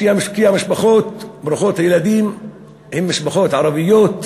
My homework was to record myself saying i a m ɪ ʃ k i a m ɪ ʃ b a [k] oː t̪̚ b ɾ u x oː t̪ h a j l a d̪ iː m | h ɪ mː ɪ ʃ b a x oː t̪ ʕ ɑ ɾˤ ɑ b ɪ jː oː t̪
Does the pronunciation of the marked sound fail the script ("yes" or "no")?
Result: yes